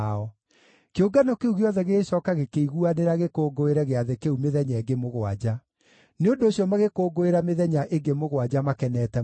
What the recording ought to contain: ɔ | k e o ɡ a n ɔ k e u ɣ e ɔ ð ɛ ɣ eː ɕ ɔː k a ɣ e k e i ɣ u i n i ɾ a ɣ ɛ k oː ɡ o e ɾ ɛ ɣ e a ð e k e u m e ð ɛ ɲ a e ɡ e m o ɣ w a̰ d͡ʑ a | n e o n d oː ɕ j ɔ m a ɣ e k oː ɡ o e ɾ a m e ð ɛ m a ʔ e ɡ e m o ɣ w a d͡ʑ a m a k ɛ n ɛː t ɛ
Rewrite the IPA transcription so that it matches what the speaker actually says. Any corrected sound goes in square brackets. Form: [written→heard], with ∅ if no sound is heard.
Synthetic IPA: ɔ | k e o ɡ a n ɔ k e u ɣ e ɔ ð ɛ ɣ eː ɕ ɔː k a ɣ e k e i ɣ u [i→a] n [i→e] ɾ a ɣ [ɛ→e] k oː ɡ o e ɾ ɛ ɣ e a ð e k e u m e ð ɛ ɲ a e ɡ e m o ɣ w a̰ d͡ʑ a | n e o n d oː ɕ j ɔ m a ɣ e k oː ɡ o e ɾ a m e ð ɛ [m→ɲ] a ʔ e ɡ e m o ɣ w a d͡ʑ a m a k ɛ n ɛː t ɛ